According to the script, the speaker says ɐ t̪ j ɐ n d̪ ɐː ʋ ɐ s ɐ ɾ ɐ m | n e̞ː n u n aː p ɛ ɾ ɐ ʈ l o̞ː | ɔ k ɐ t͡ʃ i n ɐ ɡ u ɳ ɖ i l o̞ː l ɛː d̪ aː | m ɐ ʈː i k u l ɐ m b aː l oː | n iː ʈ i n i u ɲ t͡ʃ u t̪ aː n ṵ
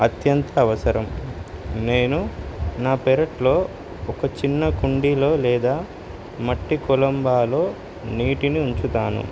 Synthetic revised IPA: ɐ t̪ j ɐ n t̪ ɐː ʋ ɐ s ɐ ɾ ɐ m | n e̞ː n u n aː p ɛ ɾ ɐ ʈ l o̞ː | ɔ k ɐ t͡ʃ i nː ɐ k u ɳ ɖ i l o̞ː l ɛː d̪ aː | m ɐ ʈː i k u l ɐ m b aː l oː | n iː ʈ i n i u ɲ t͡ʃ u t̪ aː n ṵ